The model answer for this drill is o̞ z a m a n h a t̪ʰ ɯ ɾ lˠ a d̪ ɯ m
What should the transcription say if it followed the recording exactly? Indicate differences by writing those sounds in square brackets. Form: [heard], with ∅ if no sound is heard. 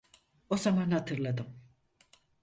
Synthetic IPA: o̞ z a m a n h a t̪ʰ ɯ ɾ lˠ a d̪ ɯ m